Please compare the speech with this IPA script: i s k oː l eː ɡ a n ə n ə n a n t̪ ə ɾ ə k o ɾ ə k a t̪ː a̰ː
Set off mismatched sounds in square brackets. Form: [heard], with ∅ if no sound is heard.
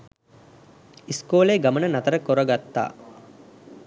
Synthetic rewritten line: i s k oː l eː ɡ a [m] ə n ə n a [∅] t̪ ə ɾ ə k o ɾ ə [ɡ] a t̪ː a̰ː